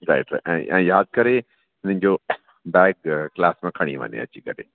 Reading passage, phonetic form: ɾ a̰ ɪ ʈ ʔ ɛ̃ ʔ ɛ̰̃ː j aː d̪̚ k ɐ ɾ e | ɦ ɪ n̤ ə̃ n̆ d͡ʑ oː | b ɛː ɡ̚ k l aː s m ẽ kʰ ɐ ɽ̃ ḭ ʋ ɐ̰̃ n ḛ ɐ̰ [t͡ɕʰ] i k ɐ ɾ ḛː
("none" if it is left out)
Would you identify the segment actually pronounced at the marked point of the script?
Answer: t͡ɕ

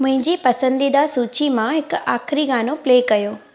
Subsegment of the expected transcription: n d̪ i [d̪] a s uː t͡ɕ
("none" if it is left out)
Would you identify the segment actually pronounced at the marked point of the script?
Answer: d̪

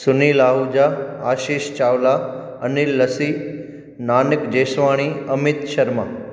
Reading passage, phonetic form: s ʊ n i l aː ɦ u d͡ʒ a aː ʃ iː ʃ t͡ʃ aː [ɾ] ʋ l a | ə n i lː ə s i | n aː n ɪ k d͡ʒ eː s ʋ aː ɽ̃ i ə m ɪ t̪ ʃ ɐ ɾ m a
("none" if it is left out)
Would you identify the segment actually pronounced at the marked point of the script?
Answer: none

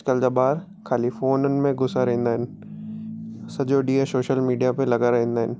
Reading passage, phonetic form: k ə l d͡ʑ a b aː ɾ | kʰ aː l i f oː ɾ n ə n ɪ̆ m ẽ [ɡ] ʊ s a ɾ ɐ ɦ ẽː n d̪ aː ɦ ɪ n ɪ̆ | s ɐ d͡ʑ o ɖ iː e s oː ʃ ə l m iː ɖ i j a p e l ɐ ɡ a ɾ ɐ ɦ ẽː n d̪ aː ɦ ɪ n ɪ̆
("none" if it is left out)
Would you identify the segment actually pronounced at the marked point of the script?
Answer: ɡ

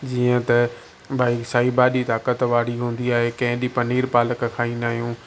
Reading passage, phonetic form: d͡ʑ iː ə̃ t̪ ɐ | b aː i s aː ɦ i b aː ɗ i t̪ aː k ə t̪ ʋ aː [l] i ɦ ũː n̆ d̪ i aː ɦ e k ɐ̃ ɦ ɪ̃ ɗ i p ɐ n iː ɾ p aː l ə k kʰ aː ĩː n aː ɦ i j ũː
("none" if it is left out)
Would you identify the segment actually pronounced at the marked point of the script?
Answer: ɽ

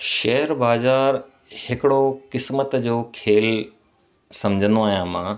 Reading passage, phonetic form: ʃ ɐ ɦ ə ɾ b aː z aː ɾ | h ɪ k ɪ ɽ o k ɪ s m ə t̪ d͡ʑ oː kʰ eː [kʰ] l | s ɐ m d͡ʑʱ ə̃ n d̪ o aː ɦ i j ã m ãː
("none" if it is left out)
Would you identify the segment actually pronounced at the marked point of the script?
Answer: none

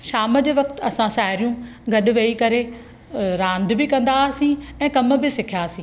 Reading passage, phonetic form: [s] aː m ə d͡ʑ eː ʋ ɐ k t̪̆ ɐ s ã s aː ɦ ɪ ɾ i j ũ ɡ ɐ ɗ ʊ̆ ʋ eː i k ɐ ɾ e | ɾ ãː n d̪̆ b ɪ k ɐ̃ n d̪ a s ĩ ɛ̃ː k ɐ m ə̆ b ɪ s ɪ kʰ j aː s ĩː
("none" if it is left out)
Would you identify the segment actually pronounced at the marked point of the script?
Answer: ʃ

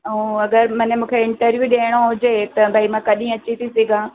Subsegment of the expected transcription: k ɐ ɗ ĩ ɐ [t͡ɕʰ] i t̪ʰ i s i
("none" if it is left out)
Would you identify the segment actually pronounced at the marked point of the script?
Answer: t͡ɕ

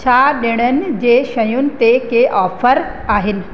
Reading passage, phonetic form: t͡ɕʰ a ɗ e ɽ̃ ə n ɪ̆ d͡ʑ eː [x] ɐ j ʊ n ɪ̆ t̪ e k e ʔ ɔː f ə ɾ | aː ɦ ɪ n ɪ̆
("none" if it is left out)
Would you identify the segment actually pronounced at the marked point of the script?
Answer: ʃ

